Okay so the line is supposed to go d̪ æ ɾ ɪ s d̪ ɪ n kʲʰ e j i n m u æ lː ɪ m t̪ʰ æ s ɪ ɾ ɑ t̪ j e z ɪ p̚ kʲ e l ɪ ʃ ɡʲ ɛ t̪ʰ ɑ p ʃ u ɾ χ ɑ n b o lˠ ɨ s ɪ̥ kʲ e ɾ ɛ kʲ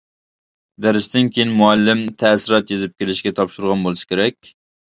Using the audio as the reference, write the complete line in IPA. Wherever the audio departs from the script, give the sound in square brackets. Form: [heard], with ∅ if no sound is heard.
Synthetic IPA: d̪ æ ɾ ɪ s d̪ ɪ n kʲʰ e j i n m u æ lː ɪ m t̪ʰ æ s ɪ ɾ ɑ t̪ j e z ɪ p̚ kʲ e l ɪ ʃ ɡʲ ɛ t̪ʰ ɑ p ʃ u ɾ [ʁ] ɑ n b o lˠ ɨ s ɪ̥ kʲ e ɾ ɛ kʲ